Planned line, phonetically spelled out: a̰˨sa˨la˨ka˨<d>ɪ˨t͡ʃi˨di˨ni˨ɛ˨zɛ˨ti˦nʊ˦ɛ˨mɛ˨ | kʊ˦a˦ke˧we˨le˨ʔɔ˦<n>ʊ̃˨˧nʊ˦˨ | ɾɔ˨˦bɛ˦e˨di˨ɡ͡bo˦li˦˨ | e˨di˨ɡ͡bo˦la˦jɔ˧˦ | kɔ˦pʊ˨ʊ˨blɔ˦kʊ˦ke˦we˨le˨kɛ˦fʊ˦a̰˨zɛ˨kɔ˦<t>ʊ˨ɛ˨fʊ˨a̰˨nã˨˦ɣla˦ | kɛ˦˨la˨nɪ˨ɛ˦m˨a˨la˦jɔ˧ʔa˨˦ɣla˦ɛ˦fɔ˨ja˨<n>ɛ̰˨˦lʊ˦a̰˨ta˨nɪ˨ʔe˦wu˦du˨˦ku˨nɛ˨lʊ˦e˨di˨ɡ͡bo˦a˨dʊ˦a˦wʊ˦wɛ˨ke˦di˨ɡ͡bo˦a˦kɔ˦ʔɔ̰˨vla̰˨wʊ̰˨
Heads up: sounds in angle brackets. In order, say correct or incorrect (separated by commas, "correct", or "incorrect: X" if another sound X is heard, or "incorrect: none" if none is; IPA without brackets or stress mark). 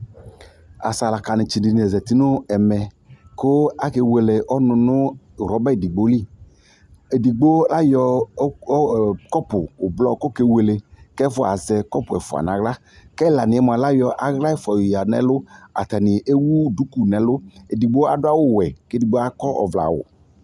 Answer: incorrect: n, correct, incorrect: p, correct